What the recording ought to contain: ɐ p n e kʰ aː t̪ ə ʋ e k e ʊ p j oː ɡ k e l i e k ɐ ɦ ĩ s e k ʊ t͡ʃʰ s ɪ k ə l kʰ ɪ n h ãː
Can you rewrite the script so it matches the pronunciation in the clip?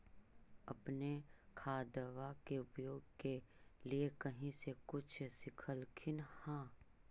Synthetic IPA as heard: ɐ p n e kʰ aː d̪ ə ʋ a k e ʊ p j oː ɡ k e l i e k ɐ ɦ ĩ s e k ʊ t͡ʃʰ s ɪ kʰ ə l kʰ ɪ n h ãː